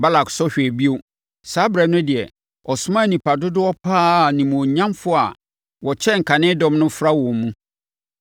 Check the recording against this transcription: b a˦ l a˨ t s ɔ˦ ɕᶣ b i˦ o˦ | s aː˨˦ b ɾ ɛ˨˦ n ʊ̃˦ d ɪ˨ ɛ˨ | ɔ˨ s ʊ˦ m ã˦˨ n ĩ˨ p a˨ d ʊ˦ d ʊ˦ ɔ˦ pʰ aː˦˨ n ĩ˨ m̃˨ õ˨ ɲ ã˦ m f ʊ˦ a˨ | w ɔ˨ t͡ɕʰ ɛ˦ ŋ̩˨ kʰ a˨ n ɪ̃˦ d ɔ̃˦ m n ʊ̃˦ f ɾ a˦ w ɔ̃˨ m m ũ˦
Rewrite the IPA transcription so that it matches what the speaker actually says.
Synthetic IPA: b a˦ l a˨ k s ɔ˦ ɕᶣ b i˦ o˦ | s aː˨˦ b ɾ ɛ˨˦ n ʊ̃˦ d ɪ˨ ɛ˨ | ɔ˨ s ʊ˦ m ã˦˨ n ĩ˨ p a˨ d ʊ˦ d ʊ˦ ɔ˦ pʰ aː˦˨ n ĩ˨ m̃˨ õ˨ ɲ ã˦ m f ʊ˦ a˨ | w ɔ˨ t͡ɕʰ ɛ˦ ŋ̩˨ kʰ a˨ n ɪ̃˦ d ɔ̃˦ m n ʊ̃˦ f ɾ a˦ w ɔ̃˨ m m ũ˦